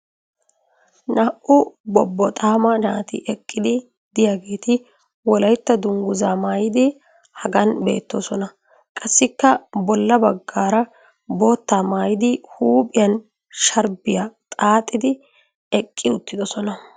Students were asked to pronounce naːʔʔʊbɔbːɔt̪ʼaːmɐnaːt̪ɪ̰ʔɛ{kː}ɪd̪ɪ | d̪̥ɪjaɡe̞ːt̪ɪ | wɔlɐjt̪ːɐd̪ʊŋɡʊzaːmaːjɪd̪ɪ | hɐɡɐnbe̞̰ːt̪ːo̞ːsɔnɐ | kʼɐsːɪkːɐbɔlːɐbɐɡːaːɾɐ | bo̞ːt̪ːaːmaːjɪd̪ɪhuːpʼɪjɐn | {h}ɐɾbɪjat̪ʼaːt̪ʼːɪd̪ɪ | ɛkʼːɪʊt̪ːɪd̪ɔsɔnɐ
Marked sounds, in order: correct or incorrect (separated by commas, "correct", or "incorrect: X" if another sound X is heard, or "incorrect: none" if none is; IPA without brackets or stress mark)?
incorrect: kʼː, incorrect: ʃ